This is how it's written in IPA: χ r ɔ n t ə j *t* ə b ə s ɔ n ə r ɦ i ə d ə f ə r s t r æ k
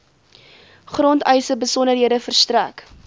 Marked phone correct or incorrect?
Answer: incorrect